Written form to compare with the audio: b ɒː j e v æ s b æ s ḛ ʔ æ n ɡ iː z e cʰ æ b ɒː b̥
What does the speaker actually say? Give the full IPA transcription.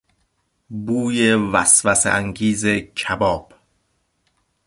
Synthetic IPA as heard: b uː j e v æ s v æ s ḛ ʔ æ ŋ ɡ iː z e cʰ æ b ɒː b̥